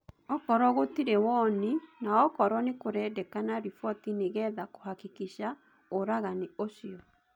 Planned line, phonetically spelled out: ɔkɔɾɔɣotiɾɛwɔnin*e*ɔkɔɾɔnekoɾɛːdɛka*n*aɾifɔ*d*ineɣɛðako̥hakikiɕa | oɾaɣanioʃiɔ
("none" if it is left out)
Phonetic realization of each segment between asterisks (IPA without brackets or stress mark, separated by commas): a, n, t